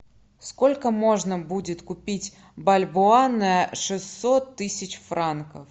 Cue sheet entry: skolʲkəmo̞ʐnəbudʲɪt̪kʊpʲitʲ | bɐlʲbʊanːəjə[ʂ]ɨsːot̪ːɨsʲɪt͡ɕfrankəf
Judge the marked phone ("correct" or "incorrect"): correct